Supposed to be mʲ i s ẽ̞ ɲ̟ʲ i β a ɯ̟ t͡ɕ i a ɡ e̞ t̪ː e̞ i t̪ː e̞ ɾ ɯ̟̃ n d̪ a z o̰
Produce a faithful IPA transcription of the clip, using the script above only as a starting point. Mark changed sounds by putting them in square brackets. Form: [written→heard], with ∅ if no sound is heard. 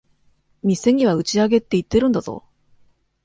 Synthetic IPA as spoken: mʲ i s [ẽ̞→e̞] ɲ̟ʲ i β a ɯ̟ t͡ɕ i a ɡ e̞ t̪ː e̞ i t̪ː e̞ ɾ [ɯ̟̃→ɯ̟] n d̪ a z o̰